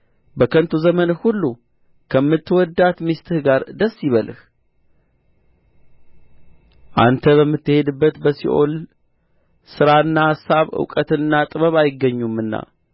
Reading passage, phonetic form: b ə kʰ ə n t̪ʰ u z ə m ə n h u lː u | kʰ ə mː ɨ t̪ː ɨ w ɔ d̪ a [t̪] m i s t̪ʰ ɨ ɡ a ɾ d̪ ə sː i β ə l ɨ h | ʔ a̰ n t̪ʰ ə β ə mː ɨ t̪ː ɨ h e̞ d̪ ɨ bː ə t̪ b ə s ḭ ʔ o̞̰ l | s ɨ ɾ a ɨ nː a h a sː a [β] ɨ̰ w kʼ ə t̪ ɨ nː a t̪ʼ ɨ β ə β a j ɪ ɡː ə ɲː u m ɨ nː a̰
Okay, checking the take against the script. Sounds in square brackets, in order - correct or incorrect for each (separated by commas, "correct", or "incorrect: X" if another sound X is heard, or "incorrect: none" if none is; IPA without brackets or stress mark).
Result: correct, correct